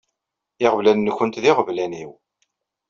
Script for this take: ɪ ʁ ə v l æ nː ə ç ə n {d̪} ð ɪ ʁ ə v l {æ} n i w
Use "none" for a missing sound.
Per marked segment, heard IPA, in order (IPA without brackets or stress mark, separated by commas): t̪, æ